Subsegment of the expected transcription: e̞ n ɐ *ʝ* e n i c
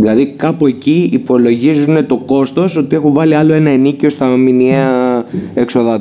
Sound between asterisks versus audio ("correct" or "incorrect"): incorrect